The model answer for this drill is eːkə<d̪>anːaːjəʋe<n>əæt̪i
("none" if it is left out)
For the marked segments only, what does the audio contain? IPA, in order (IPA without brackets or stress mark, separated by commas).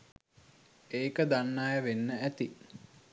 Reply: d̪, nː